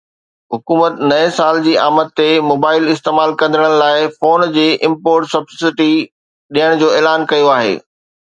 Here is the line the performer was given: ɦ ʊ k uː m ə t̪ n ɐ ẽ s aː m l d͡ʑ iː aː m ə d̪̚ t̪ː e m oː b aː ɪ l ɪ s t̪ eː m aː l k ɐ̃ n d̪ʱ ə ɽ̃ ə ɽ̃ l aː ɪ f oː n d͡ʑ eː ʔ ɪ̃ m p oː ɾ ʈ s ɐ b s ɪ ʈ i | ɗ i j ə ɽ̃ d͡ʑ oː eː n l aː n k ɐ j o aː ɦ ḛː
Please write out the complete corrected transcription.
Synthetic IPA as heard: ɦ ʊ k uː m ə t̪ n ɐ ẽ s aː l d͡ʑ iː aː m ə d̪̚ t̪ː e m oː b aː ɪ l ɪ s t̪ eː m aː l k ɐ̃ n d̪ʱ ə ɽ̃ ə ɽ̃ l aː ɪ f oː n d͡ʑ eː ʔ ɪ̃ m p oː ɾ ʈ s ɐ b s ɪ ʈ i | ɗ i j ə ɽ̃ d͡ʑ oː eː l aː n k ɐ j o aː ɦ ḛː